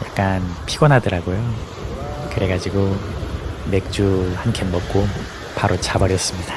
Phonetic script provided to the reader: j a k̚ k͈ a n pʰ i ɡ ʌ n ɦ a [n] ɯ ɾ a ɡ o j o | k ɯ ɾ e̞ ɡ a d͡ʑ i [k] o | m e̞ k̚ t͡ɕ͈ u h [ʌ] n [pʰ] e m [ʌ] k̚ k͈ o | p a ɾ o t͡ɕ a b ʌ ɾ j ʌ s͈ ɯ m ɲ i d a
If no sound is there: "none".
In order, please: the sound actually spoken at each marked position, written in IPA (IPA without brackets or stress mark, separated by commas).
d, ɡ, a, kʰ, ʌ